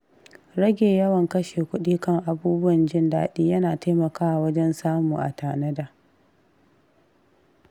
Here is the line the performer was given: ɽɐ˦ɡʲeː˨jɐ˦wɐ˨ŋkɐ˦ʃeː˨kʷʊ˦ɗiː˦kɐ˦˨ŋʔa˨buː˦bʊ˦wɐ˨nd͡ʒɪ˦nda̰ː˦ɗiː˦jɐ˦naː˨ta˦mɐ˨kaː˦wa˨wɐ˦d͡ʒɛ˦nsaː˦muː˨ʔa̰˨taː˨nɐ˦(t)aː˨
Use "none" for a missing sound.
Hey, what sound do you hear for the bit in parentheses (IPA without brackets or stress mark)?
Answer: d